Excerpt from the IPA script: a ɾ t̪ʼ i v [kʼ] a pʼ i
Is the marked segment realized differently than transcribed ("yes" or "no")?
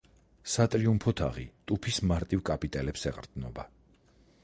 no